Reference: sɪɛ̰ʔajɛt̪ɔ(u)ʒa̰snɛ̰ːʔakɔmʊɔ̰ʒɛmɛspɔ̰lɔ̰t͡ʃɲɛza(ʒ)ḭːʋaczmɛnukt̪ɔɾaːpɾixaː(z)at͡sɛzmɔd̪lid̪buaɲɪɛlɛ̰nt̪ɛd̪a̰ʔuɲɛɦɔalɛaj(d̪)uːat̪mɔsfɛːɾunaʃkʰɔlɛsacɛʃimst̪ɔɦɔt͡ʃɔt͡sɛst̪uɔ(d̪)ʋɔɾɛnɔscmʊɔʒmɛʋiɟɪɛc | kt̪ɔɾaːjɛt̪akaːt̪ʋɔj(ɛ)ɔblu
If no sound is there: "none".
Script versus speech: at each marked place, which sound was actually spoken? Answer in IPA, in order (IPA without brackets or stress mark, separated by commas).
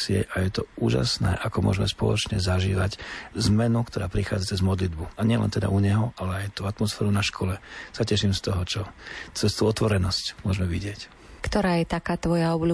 uː, ʒ, d͡z, t̪, t̪, a